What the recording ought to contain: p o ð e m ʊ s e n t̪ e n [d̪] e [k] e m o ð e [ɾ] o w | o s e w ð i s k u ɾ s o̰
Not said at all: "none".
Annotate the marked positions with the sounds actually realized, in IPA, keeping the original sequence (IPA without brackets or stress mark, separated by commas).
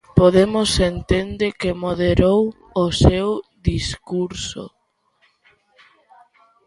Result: d̪, k, ɾ